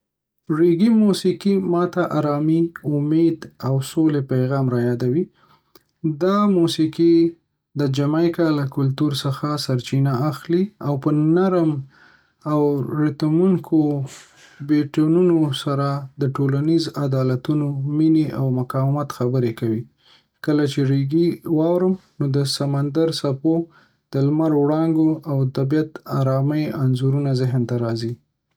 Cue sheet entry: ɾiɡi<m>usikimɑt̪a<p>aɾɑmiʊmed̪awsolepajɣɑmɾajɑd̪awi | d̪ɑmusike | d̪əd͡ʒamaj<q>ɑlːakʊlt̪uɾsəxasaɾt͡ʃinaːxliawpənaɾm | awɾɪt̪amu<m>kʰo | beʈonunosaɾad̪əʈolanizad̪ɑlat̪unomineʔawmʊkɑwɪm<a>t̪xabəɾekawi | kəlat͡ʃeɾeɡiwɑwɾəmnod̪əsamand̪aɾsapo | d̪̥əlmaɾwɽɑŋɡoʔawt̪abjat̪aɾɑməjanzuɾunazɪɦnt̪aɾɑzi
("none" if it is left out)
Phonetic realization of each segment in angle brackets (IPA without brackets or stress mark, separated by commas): m, ʔ, k, ŋ, a